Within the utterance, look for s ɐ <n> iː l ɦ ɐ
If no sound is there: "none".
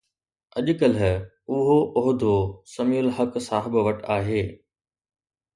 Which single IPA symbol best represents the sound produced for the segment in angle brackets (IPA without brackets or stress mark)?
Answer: m